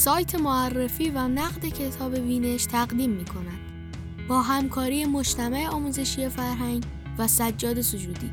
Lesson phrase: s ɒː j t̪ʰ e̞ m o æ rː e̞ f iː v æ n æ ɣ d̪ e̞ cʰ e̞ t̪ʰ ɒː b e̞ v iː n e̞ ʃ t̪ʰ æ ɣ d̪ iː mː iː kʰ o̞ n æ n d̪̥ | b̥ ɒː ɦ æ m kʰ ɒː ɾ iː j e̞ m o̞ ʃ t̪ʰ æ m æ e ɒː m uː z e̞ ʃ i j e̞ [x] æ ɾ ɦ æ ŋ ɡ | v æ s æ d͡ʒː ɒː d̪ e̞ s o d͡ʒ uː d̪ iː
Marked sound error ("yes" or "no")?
yes